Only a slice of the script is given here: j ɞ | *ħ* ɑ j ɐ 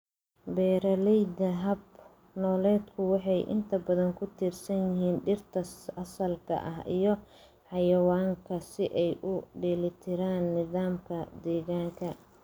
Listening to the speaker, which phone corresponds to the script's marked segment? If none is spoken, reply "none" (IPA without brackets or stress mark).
ħ